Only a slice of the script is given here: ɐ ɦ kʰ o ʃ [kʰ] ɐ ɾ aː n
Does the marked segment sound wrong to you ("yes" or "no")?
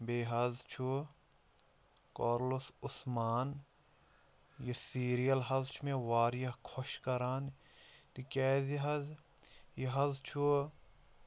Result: yes